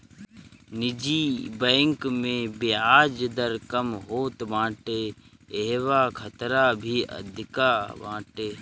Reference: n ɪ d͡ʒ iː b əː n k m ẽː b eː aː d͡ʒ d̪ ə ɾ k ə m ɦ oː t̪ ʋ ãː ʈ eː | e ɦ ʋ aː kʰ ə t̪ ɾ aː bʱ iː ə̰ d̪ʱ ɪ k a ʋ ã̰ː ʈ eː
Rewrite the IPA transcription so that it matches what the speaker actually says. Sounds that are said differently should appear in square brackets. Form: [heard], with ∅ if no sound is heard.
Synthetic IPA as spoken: n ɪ d͡ʒ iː b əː [ŋ] k m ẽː b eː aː d͡ʒ d̪ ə ɾ k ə m ɦ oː t̪ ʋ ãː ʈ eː | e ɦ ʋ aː kʰ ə t̪ ɾ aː bʱ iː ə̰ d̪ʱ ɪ k a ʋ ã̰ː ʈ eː